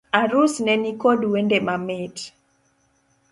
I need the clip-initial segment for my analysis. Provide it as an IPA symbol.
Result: a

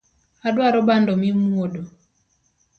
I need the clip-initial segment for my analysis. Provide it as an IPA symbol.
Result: a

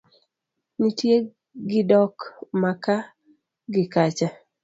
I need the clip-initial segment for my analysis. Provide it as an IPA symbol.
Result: n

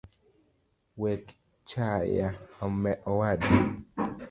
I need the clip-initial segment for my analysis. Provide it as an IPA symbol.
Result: w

